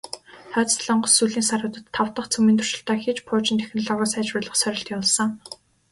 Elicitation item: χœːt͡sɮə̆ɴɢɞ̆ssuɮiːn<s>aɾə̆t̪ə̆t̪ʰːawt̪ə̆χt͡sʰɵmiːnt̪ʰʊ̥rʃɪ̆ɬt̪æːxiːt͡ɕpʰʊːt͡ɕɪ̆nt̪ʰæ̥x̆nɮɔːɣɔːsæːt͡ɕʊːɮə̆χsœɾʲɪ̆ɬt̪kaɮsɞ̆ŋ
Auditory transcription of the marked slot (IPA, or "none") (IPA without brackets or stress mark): s